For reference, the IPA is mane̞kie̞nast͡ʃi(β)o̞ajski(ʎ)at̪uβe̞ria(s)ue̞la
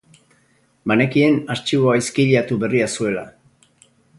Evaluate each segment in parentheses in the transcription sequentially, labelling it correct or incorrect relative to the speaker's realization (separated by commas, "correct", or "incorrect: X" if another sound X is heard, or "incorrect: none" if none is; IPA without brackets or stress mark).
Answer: correct, correct, correct